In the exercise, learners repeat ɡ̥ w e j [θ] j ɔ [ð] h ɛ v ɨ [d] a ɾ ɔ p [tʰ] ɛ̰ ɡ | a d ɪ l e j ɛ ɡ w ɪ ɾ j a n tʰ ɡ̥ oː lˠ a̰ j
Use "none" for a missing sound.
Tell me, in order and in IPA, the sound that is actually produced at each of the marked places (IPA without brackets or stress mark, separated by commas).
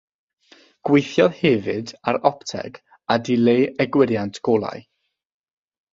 θ, ð, d, tʰ